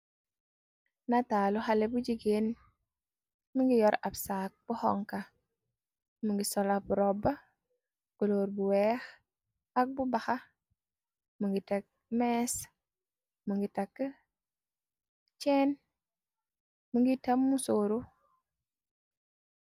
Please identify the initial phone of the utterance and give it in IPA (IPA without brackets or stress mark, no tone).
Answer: n